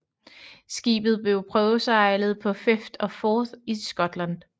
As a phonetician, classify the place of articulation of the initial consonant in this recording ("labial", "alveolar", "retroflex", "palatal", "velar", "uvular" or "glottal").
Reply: alveolar